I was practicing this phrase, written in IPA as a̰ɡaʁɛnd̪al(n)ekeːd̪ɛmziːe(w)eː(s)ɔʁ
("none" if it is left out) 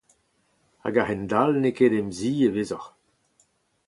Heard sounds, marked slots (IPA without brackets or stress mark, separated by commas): n, v, z